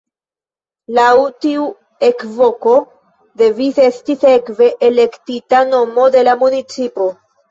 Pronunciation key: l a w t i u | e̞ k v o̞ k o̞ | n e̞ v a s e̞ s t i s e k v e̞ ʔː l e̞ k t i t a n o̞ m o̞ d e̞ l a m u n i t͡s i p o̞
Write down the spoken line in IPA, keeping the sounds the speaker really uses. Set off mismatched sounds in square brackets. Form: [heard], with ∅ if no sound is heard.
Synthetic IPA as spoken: l a w t i u | e̞ k v o̞ k o̞ | [d] e̞ v [i] s e̞ s t i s e k v e̞ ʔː l e̞ k t i t a n o̞ m o̞ d e̞ l a m u n i t͡s i p o̞

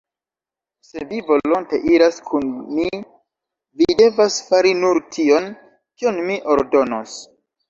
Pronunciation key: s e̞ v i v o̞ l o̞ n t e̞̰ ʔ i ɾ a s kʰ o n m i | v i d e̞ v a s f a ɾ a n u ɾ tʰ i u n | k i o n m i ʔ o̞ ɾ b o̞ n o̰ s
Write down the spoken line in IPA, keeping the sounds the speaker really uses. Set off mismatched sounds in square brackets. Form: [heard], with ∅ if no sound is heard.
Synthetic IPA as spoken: s e̞ v i v o̞ l o̞ n t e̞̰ ʔ i ɾ a s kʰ [u] n m i | v i d e̞ v a s f a ɾ [i] n u ɾ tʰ i [o] n | k i o n m i ʔ o̞ ɾ [d] o̞ n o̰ s

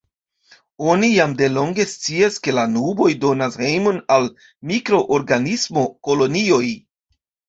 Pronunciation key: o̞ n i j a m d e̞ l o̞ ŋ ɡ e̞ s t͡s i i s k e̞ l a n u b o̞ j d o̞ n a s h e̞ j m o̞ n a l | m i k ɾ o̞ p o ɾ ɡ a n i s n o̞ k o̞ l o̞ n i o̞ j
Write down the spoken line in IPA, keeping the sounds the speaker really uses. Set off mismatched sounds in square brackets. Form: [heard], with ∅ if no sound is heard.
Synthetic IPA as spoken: o̞ n i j a m d e̞ l o̞ ŋ ɡ e̞ s t͡s i [a] s k e̞ l a n u b o̞ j d o̞ n a s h e̞ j m o̞ n a l | m i k ɾ o̞ [ʔ] o ɾ ɡ a n i s [m] o̞ k o̞ l o̞ n i o̞ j

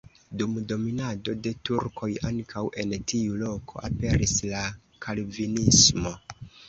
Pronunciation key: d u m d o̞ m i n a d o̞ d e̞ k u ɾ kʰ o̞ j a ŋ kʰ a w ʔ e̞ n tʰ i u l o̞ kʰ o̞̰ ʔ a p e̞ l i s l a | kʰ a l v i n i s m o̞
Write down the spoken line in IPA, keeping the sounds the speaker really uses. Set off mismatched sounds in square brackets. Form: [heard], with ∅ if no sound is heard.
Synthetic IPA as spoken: d u m d o̞ m i n a d o̞ d e̞ [t] u ɾ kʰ o̞ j a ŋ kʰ a w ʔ e̞ n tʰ i u l o̞ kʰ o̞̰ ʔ a p e̞ [ɾ] i s l a | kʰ a l v i n i s m o̞

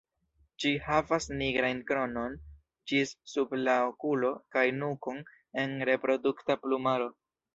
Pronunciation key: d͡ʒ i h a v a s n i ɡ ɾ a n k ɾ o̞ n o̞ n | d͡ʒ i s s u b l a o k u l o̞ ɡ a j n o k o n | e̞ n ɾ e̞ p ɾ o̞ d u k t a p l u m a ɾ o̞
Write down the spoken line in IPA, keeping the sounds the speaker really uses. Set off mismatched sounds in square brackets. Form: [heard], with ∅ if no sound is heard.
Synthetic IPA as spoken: d͡ʒ i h a v a s n i ɡ ɾ a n k ɾ o̞ n o̞ n | d͡ʒ i s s u b l a o k u l o̞ [k] a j n [u] k o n | e̞ n ɾ e̞ p ɾ o̞ d u k t a p l u m a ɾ o̞

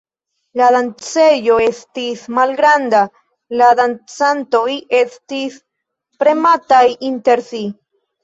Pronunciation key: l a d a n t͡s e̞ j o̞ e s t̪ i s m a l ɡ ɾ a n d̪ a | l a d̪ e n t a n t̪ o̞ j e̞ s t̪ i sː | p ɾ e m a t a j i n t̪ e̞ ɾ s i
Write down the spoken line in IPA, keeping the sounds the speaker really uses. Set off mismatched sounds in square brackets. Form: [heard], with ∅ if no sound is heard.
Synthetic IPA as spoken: l a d a n t͡s e̞ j o̞ e s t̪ i s m a l ɡ ɾ a n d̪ a | l a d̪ [a] n [t͡s] a n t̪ o̞ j e̞ s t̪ i [s] | p ɾ e m a t a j i n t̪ e̞ ɾ s i

